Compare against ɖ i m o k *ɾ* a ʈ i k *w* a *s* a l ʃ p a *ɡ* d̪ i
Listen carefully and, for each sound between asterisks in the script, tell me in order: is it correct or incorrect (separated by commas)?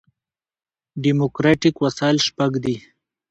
correct, correct, correct, correct